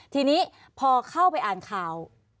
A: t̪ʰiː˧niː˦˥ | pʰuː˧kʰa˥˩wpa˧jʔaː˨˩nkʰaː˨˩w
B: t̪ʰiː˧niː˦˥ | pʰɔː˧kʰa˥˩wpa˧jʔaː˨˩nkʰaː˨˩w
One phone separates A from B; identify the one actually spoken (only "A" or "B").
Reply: B